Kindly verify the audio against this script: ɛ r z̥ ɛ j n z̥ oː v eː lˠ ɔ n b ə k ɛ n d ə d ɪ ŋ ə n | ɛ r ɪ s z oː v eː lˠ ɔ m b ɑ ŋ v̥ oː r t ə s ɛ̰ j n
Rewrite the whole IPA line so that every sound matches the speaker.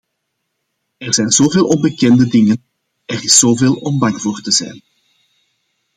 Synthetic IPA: ɛ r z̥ ɛ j n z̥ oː v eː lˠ ɔ n b ə k ɛ n d ə d ɪ ŋ ə n | ɛ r ɪ s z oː v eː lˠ ɔ m b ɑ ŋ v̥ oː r t ə z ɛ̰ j n